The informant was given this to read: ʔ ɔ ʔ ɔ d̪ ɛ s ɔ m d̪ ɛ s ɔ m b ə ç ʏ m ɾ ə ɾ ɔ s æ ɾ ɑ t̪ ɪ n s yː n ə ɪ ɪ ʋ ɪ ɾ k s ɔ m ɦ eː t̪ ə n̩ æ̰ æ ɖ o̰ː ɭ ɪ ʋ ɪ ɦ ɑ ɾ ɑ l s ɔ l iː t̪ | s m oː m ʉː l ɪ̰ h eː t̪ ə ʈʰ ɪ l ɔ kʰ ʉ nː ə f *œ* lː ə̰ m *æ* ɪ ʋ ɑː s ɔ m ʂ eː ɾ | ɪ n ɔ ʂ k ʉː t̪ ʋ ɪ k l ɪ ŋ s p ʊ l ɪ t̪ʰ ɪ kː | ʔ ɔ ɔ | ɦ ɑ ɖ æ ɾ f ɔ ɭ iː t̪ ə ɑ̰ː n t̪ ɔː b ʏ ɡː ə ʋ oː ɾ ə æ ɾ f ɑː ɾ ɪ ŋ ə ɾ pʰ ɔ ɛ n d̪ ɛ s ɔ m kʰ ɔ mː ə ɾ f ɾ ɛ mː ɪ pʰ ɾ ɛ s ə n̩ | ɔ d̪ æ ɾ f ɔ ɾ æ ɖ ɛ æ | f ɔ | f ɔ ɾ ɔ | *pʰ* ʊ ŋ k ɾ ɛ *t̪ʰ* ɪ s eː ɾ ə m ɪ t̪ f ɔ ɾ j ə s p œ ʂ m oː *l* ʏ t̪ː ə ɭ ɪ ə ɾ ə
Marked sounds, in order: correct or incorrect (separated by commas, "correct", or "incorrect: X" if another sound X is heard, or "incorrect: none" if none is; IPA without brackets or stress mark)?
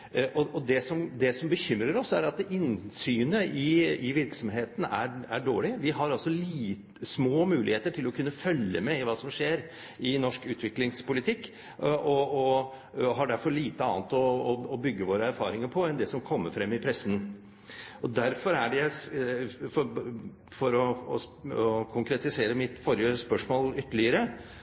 correct, incorrect: ɛ, incorrect: kʰ, incorrect: t̪, correct